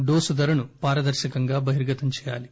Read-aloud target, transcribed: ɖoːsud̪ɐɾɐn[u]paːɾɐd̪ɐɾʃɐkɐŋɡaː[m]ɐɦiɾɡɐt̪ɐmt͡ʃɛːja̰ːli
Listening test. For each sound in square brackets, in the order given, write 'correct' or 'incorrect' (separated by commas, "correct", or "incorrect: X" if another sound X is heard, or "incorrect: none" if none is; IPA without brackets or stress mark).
correct, incorrect: b